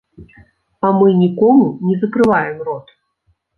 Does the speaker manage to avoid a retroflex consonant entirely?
yes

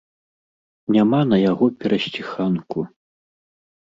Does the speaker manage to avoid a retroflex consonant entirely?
yes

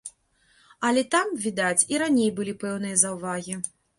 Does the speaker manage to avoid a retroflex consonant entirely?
yes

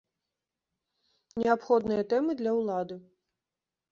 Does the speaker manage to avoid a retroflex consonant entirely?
yes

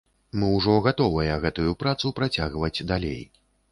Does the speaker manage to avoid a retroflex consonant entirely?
no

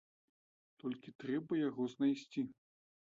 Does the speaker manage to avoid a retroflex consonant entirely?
yes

